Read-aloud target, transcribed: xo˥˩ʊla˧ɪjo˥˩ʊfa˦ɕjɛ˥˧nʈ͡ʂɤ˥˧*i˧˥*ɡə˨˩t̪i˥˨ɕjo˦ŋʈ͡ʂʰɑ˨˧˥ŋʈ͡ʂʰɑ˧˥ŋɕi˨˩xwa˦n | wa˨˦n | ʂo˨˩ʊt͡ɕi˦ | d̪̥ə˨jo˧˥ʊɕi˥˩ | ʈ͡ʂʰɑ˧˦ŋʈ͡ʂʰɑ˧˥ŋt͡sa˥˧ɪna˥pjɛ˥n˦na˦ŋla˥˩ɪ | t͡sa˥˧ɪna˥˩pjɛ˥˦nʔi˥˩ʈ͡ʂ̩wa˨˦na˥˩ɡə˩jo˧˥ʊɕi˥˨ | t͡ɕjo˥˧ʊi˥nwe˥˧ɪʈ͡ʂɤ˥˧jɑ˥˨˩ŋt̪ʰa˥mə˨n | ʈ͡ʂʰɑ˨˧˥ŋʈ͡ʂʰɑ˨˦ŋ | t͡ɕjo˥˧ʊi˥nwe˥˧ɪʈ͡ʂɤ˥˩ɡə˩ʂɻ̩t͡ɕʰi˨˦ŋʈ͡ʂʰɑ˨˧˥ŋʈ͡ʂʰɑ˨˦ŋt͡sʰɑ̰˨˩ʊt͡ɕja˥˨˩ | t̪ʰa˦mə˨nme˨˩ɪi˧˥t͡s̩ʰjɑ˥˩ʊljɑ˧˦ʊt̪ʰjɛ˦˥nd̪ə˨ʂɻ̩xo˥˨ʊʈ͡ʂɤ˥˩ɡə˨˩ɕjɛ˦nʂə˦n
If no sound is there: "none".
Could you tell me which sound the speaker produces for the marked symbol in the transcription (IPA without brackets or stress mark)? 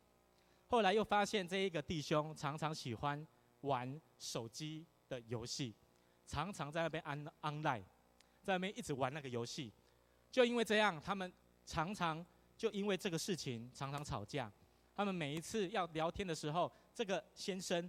i˥˩